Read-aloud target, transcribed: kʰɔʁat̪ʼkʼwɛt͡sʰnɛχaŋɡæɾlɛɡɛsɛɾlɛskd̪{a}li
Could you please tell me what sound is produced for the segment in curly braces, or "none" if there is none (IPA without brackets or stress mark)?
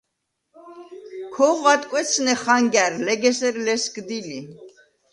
i